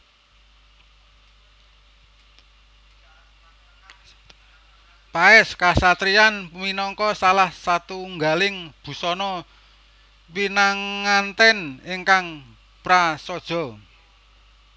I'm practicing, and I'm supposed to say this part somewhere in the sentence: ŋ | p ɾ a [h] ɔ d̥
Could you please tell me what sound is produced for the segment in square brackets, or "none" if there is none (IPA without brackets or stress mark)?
s